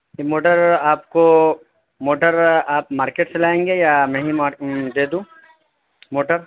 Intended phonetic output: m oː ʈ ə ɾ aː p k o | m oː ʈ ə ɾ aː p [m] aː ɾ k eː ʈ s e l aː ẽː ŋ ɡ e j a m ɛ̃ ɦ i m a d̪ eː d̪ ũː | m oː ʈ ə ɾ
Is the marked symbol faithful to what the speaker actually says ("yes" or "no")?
yes